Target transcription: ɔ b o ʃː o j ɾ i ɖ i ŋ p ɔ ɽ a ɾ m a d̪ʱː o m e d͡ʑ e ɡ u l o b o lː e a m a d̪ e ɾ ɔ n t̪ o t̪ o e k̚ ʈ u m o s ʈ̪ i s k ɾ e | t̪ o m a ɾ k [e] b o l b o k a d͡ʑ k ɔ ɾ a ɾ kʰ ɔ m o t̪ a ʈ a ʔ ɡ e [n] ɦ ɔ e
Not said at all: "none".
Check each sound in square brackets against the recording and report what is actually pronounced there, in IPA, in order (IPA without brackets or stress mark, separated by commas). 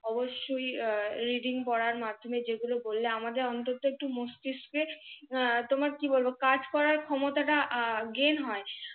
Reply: i, n